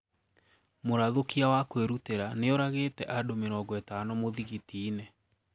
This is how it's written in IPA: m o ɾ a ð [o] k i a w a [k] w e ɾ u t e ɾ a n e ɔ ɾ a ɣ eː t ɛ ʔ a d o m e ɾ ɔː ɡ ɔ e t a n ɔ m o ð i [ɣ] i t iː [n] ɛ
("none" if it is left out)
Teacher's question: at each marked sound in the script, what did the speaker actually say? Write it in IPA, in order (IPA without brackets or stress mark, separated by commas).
o, k, ɣ, n